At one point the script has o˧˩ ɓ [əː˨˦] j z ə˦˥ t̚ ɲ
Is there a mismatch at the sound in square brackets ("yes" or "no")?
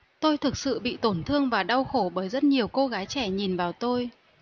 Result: no